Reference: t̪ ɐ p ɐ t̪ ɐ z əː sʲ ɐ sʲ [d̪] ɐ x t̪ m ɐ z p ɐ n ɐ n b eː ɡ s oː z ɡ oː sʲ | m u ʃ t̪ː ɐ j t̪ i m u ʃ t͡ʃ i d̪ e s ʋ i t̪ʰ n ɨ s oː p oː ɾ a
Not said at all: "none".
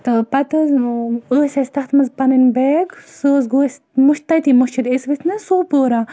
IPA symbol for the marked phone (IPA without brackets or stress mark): t̪